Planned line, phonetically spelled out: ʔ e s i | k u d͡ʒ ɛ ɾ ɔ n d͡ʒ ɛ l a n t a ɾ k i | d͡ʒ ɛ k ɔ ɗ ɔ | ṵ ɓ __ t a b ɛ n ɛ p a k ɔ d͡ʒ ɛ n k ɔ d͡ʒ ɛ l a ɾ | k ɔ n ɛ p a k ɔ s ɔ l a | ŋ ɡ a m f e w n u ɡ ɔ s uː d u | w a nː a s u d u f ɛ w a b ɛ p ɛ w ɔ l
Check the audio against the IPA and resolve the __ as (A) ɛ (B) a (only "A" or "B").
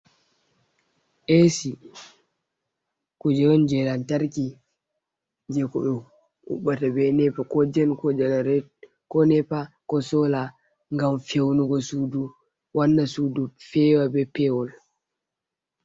B